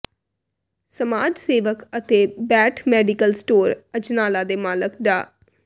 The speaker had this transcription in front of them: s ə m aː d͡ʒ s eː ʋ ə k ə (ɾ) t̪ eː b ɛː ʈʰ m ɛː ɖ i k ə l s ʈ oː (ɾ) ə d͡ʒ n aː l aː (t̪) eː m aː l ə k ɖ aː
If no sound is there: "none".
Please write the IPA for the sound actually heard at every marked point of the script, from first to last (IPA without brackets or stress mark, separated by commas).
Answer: none, ɾ, d̪